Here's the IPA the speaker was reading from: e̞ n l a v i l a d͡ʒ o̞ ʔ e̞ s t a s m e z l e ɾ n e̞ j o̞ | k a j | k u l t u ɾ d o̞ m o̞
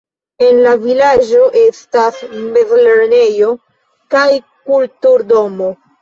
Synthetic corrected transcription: e̞ n l a v i l a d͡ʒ o̞ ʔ e̞ s t a s m e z l e ɾ n e̞ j o̞ | k a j | k u l t u ɾ d o̞ m o̞